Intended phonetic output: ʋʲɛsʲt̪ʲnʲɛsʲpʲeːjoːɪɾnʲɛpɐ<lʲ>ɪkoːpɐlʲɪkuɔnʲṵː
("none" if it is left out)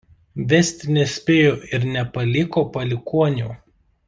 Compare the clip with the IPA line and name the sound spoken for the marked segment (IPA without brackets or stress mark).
lʲ